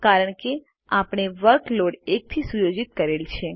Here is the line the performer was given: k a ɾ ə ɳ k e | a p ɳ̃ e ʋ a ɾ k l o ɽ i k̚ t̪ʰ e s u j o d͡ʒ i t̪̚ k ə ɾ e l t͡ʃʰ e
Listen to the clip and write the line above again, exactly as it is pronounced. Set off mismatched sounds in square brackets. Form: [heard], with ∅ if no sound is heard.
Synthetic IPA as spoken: k a ɾ ə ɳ k e | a p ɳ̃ e ʋ [ə] ɾ k l o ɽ [e] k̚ t̪ʰ [i] s u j o d͡ʒ i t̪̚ k ə ɾ e l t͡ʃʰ e